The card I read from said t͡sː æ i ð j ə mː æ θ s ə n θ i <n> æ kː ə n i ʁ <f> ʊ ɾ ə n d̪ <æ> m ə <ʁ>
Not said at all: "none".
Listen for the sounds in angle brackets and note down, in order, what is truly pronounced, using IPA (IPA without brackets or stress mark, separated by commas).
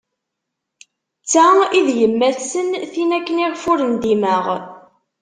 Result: n, f, i, ʁ